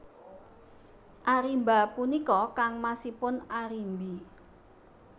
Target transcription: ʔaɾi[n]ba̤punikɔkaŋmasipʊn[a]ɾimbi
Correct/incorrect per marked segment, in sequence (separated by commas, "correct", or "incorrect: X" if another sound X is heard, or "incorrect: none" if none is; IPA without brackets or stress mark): incorrect: m, correct